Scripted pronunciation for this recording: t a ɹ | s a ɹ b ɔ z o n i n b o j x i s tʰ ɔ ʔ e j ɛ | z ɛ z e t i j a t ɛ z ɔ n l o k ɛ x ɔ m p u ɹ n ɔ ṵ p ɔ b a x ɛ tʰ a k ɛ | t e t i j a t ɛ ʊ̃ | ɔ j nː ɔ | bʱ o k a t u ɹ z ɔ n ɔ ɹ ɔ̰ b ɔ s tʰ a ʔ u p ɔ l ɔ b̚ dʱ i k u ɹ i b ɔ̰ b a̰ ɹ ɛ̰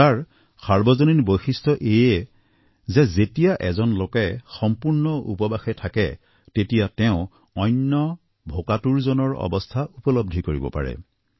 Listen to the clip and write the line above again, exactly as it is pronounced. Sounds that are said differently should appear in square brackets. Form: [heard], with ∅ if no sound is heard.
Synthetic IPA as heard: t a ɹ | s a ɹ b ɔ z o n i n b o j x i s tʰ ɔ ʔ e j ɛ | z ɛ z e t i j a [ʔ] ɛ z ɔ n l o k ɛ x ɔ m p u ɹ n ɔ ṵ p ɔ b a x ɛ tʰ a k ɛ | t e t i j a t ɛ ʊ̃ | ɔ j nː ɔ | bʱ o k a t u ɹ z ɔ n ɔ ɹ ɔ̰ b ɔ s tʰ a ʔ u p ɔ l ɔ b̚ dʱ i k [o] ɹ i b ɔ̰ [p] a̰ ɹ ɛ̰